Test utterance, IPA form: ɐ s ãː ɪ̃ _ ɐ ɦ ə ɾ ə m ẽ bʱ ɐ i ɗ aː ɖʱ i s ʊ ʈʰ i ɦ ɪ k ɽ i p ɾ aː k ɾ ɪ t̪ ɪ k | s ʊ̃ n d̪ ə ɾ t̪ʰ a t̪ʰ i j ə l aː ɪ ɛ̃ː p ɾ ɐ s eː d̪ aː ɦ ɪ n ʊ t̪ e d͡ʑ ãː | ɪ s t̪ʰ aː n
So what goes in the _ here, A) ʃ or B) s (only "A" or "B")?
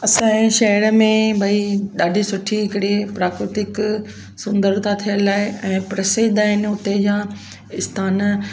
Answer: A